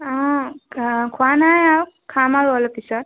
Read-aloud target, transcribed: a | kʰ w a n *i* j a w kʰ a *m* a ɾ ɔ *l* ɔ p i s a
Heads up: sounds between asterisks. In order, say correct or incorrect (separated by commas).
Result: incorrect, correct, correct